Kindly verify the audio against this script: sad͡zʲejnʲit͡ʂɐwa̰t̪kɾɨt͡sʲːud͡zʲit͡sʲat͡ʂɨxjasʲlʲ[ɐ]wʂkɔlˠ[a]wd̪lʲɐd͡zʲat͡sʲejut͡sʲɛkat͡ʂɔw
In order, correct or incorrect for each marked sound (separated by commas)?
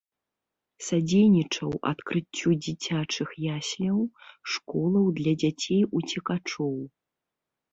correct, incorrect